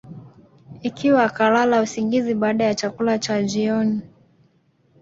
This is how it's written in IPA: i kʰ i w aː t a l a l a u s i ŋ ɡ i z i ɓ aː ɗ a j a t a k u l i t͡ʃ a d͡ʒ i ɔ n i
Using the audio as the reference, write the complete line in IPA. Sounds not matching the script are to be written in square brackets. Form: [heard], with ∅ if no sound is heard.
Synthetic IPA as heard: i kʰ i w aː [k] a l a l a u s i ŋ ɡ i z i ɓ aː ɗ a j a [t͡ʃ] a k u l [a] t͡ʃ a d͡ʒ i ɔ n i